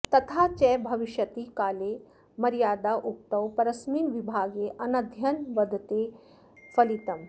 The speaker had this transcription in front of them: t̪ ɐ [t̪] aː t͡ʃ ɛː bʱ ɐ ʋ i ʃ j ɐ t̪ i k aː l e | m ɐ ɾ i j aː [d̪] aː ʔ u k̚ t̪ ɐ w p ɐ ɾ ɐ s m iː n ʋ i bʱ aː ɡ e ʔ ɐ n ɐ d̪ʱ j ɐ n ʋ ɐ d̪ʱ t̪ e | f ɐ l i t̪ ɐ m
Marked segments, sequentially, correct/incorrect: incorrect, correct

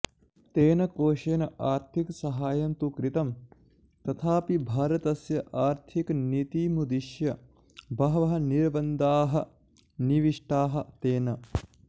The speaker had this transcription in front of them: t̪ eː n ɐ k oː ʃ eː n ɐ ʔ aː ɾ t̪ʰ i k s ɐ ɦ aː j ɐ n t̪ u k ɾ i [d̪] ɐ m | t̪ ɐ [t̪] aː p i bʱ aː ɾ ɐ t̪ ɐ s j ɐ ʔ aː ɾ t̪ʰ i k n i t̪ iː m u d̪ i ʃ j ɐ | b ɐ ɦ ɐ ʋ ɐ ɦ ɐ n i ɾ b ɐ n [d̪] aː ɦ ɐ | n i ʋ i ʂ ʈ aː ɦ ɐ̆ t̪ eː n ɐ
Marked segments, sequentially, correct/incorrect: incorrect, incorrect, correct

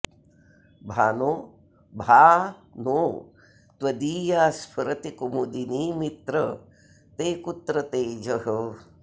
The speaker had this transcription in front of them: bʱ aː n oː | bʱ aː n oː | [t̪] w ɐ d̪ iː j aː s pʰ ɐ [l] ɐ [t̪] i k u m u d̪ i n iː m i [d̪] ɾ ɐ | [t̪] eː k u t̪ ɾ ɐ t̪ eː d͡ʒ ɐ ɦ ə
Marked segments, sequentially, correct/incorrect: correct, incorrect, correct, incorrect, correct

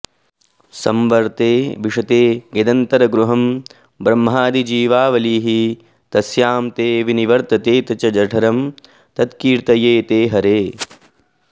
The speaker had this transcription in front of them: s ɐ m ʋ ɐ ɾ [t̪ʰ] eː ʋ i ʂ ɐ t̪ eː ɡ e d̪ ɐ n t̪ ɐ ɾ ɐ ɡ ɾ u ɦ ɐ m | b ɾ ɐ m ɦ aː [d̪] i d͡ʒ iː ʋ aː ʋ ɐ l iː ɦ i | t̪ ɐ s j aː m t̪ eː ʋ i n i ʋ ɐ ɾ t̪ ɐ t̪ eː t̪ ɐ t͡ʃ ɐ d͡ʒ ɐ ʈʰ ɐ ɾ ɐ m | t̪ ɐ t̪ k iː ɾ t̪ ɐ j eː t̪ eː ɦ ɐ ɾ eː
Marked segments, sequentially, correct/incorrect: incorrect, correct

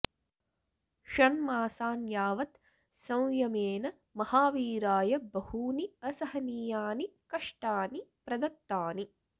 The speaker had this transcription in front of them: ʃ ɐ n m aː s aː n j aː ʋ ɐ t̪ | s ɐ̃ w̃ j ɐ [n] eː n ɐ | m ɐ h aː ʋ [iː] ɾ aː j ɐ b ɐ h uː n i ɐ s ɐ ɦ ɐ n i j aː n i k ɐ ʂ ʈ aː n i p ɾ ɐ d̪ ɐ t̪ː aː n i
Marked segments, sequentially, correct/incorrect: incorrect, correct

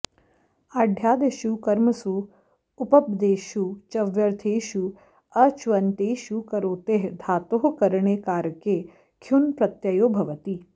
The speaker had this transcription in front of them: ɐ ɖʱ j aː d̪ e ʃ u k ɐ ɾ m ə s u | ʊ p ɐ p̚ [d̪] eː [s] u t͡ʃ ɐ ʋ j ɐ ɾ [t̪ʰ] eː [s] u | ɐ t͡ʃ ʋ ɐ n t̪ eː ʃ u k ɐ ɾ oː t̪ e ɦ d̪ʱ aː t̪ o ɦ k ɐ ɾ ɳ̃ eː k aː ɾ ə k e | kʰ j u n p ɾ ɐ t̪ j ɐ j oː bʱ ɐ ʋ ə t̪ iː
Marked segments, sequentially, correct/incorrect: correct, incorrect, correct, incorrect

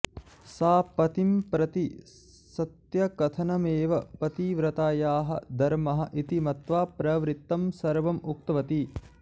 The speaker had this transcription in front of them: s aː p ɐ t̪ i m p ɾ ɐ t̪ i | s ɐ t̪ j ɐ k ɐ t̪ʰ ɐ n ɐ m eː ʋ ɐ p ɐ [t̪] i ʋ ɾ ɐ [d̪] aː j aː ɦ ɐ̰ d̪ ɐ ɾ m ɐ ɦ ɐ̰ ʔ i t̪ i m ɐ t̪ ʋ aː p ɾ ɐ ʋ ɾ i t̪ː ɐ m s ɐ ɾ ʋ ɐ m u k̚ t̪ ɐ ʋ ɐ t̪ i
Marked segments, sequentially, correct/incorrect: correct, incorrect

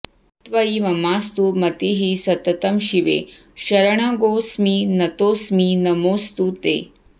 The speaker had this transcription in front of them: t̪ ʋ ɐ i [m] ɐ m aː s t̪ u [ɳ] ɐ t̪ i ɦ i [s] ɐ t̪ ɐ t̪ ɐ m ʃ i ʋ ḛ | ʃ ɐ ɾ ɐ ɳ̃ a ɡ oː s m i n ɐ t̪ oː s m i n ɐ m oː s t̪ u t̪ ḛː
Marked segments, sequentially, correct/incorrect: correct, incorrect, correct

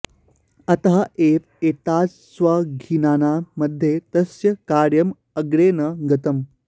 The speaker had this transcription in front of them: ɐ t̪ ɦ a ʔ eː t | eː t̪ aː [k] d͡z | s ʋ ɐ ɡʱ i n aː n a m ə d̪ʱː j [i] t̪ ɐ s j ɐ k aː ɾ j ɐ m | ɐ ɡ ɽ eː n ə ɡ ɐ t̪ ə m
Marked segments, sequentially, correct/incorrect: incorrect, incorrect

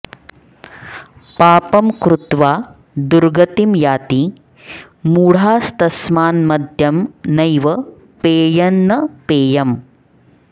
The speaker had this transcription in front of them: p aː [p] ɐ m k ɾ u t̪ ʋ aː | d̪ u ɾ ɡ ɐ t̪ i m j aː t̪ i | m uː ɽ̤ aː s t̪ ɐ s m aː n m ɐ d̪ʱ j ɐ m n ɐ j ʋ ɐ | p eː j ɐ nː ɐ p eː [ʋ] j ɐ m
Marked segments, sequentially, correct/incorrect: correct, incorrect

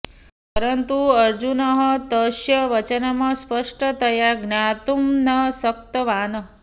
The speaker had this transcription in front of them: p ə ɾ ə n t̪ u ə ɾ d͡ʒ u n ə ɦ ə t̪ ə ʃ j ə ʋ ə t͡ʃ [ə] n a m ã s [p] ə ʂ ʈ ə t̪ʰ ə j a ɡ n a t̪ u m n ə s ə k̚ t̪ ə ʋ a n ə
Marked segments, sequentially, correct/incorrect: correct, correct

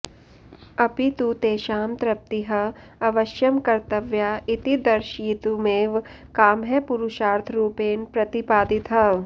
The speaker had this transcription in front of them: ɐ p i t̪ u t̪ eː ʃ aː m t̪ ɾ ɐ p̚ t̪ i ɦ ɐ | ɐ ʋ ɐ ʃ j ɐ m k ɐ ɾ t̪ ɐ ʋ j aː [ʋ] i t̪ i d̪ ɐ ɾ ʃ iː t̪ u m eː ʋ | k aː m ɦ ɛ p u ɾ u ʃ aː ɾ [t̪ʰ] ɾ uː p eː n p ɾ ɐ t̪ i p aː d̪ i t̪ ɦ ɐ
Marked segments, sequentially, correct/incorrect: incorrect, correct

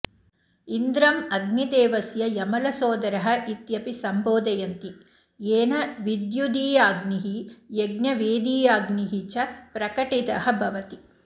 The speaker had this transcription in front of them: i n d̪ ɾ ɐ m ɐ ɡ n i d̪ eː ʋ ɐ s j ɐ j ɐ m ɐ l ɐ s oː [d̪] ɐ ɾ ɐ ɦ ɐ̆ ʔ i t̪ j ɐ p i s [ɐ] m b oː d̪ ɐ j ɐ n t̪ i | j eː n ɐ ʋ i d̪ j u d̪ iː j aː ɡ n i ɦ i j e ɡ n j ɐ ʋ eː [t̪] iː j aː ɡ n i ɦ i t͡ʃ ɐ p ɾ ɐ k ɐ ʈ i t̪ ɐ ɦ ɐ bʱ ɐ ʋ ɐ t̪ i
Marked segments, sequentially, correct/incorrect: correct, correct, incorrect

